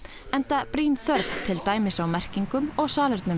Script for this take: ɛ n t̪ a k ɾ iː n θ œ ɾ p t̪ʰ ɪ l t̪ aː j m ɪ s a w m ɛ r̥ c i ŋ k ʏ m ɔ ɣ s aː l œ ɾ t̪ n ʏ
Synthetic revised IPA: ɛ n t̪ a p ɾ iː n θ œ ɾ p t̪ʰ ɪ l t̪ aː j m ɪ s a w m ɛ r̥ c i ŋ k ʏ m ɔ ɣ s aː l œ ɾ t̪ n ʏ